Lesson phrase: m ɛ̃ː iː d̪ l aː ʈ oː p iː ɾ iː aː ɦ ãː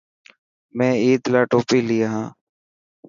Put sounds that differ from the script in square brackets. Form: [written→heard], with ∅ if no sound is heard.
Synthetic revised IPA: m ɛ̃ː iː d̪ l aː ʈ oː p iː [ɾ→l] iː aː ɦ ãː